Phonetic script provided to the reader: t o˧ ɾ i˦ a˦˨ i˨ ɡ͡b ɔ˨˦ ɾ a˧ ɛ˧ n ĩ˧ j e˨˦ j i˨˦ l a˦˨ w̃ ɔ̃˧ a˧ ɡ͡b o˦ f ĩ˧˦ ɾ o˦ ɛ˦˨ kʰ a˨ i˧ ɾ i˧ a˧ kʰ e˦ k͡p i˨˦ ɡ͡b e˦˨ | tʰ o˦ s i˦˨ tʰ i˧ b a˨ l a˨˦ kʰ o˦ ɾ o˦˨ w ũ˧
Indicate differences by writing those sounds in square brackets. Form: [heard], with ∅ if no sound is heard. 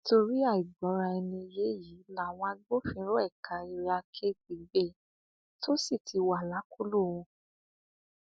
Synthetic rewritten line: t o˧ ɾ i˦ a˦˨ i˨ ɡ͡b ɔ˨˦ ɾ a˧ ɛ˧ n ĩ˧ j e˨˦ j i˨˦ l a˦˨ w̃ ɔ̃˧ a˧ ɡ͡b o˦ f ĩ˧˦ ɾ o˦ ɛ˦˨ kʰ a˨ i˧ ɾ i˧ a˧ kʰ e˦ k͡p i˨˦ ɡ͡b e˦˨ | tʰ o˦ s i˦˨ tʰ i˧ [w] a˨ l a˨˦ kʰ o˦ [l] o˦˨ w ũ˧